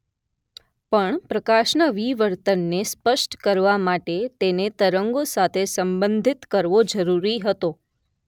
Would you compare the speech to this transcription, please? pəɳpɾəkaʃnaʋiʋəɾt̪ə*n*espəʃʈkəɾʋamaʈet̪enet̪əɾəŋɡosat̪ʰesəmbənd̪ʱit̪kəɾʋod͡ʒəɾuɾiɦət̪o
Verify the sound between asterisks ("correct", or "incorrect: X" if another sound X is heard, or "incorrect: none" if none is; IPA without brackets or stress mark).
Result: incorrect: nː